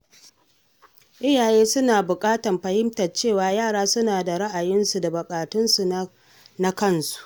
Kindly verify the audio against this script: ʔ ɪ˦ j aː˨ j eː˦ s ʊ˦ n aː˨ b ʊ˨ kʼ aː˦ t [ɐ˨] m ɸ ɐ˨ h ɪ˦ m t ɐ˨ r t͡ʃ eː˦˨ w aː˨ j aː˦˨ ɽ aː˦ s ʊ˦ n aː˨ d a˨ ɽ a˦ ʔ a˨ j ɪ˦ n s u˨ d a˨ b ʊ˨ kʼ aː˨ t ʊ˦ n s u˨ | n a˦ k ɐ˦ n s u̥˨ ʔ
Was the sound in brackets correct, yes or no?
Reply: yes